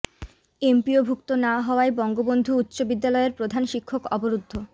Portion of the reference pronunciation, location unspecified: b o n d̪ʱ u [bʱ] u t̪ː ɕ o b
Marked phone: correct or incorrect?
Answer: incorrect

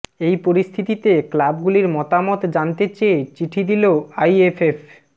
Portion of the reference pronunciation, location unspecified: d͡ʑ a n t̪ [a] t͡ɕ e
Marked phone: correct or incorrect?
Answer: incorrect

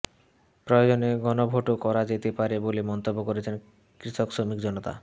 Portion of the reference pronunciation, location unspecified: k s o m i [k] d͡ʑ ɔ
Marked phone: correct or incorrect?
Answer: correct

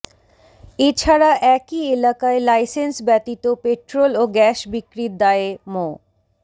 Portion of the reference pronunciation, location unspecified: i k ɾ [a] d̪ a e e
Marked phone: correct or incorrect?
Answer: incorrect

